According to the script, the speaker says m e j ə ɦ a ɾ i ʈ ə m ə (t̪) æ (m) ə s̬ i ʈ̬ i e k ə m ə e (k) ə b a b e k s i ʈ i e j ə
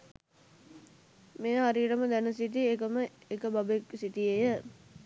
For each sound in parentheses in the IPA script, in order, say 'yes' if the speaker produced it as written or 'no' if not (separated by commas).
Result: no, no, yes